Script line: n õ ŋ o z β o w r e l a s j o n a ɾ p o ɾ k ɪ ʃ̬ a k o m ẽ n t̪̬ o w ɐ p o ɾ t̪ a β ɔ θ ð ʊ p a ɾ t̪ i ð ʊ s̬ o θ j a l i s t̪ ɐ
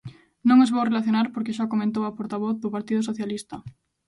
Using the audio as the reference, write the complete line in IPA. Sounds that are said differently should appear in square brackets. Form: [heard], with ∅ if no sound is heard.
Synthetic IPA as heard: n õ ŋ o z β o w r e l a [θ] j o n a ɾ p o ɾ k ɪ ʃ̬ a k o m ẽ n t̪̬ o w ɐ p o ɾ t̪ a β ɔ θ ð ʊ p a ɾ t̪ i ð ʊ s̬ o θ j a l i s t̪ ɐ

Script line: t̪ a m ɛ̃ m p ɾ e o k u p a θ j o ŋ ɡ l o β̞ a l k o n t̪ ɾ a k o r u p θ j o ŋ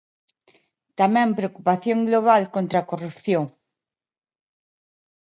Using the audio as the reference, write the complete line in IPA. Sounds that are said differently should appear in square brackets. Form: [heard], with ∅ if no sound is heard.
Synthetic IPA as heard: t̪ a m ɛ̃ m p ɾ e o k u p a θ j o ŋ ɡ l o β̞ a l k o n t̪ ɾ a k o r u p θ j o ŋ

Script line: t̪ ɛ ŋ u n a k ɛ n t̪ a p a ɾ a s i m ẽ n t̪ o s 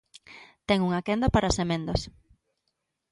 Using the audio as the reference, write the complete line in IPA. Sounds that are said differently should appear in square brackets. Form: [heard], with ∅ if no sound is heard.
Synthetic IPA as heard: t̪ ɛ ŋ u [ŋ] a k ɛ n [d̪] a p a ɾ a s [e] m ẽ n [d̪] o s

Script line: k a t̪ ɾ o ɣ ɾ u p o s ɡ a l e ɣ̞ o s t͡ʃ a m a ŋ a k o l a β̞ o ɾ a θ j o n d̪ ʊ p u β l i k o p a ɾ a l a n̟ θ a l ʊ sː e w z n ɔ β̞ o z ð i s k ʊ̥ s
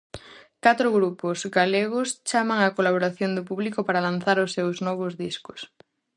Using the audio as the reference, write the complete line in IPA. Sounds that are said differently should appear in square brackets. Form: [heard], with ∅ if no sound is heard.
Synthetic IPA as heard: k a t̪ ɾ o ɣ ɾ u p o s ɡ a l e ɣ̞ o s t͡ʃ a m a ŋ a k o l a β̞ o ɾ a θ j o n d̪ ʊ p u β l i k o p a ɾ a l a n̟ θ a [ɾ] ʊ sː e w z n ɔ β̞ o z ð i s k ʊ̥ s

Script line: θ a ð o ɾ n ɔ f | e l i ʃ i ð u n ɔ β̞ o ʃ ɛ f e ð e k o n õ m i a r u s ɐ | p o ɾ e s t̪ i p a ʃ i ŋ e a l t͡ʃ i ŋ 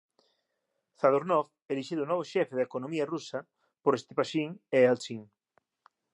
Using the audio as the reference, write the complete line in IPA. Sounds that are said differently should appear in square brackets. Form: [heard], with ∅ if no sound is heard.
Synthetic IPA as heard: θ a ð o ɾ n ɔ f | e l i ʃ i ð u n ɔ β̞ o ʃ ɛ f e ð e k o n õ m i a r u s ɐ | p o ɾ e s t̪ i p a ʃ i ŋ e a l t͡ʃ i ŋ

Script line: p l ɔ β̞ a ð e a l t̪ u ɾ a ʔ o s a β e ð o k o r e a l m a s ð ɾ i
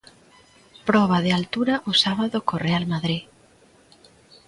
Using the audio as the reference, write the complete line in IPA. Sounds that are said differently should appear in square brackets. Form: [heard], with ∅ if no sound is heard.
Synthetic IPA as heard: p [ɾ] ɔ β̞ a ð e a l t̪ u ɾ a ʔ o s a β [a] ð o k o r e a l m a [∅] ð ɾ i

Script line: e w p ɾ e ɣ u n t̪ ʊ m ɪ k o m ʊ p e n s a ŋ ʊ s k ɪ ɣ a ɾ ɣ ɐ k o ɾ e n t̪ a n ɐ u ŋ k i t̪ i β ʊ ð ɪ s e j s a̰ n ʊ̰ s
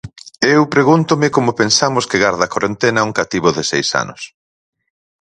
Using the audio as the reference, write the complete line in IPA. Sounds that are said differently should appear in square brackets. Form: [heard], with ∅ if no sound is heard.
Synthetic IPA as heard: e w p ɾ e ɣ u n t̪ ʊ m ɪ k o m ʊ p e n s a [m] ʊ s k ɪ ɣ a ɾ [ð] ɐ k o ɾ e n t̪ [e] n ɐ u ŋ k [a] t̪ i β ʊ ð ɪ s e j s a̰ n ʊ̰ s

